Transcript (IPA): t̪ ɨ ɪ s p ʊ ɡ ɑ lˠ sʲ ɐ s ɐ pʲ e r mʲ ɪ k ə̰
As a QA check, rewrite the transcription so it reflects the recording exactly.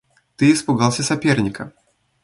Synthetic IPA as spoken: t̪ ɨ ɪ s p ʊ ɡ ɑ lˠ sʲ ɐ s ɐ pʲ e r nʲ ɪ k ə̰